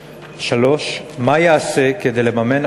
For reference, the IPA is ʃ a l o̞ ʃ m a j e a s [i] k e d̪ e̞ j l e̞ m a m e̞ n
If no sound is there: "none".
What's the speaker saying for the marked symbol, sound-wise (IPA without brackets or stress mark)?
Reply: e